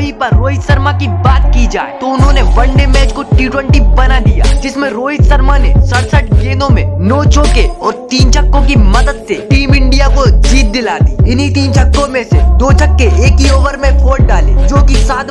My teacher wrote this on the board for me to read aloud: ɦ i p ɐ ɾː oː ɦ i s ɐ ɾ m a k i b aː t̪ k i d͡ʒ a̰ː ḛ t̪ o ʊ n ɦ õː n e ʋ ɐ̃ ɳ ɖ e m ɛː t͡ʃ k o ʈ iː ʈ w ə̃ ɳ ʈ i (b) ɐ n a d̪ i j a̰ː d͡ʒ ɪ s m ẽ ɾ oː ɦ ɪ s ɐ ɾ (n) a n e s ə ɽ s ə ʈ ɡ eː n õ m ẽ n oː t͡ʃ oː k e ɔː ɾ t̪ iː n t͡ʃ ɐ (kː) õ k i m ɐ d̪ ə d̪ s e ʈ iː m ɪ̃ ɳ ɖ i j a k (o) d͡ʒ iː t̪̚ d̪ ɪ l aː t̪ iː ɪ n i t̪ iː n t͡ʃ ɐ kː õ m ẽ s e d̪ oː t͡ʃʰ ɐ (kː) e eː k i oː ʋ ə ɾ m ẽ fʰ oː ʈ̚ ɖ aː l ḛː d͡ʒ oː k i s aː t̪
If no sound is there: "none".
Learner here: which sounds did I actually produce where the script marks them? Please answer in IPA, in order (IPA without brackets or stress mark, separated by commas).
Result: b, m, kː, o, kː